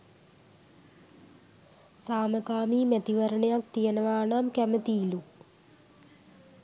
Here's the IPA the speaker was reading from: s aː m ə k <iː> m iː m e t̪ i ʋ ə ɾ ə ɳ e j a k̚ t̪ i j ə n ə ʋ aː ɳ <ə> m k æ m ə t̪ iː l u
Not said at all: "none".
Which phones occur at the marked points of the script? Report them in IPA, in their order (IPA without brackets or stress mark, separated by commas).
aː, a